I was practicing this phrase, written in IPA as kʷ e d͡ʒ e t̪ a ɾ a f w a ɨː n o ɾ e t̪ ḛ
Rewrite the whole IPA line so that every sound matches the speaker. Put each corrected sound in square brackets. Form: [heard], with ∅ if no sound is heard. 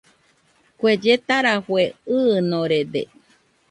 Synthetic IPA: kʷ e d͡ʒ e t̪ a ɾ a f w [e] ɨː n o ɾ e [d̪] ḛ